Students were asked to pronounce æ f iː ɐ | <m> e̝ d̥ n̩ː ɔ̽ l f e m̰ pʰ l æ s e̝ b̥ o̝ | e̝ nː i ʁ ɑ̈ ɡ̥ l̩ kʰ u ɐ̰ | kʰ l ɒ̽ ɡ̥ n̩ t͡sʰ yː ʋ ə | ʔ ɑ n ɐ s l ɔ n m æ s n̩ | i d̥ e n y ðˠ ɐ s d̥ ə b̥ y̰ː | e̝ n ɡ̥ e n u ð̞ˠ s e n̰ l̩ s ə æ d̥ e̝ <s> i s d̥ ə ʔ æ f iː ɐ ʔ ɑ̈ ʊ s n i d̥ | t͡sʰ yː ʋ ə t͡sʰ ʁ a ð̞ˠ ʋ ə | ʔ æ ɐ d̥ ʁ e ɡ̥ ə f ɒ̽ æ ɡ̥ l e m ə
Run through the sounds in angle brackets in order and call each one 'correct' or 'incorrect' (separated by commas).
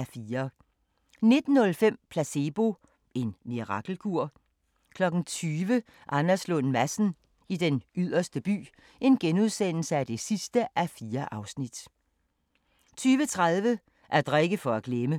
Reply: incorrect, correct